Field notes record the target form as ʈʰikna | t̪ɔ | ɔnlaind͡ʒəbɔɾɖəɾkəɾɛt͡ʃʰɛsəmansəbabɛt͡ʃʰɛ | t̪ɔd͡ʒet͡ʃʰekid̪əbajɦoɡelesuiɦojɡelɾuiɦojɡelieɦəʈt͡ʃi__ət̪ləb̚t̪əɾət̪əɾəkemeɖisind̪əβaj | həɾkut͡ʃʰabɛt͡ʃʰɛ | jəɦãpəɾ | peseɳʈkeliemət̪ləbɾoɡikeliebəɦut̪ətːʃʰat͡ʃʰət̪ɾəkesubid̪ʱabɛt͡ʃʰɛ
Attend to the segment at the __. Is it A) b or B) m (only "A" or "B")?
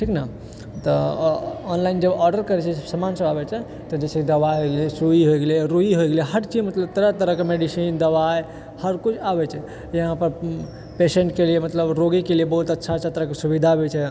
B